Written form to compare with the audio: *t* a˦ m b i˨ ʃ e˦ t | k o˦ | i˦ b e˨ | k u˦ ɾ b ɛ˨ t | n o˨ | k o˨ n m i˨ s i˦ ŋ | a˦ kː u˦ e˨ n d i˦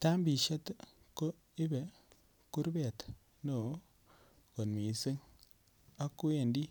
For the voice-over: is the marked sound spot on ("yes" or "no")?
yes